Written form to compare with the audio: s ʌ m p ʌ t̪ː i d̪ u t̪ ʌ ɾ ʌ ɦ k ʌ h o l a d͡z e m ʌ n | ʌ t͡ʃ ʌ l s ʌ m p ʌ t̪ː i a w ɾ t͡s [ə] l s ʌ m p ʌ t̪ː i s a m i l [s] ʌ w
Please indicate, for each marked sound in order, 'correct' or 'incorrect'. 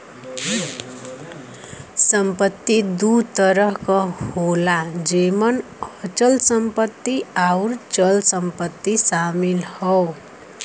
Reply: incorrect: ʌ, incorrect: h

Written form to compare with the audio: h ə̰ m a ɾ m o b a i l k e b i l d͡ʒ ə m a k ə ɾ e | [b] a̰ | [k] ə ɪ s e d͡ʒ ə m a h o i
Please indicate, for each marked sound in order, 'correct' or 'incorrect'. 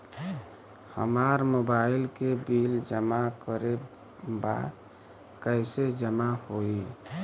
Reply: correct, correct

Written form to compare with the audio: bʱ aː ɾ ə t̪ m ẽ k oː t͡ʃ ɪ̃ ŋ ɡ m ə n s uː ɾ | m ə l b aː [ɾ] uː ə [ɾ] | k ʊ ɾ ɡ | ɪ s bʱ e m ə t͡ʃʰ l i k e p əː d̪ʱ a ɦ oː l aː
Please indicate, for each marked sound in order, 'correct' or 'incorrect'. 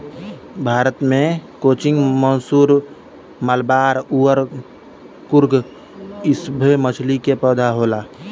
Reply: correct, correct

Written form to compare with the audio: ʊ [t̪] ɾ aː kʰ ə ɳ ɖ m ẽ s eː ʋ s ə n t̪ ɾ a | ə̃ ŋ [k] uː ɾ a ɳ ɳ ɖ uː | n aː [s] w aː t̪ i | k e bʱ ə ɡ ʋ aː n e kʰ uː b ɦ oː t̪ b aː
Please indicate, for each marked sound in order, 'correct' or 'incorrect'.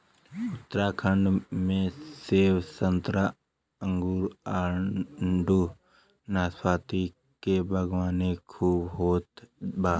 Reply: correct, incorrect: ɡ, correct

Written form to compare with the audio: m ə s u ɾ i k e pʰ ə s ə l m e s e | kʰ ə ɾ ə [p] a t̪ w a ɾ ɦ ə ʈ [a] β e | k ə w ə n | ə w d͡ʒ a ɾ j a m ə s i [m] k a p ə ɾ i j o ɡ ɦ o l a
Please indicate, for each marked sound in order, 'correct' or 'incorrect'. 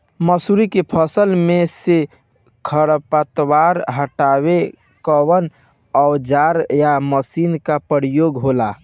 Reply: correct, correct, incorrect: n

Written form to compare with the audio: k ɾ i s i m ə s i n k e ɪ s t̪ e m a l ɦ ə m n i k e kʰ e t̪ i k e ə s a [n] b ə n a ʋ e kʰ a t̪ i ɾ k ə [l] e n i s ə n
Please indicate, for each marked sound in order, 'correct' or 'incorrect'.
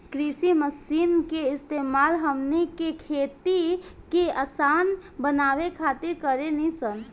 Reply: correct, incorrect: ɾ

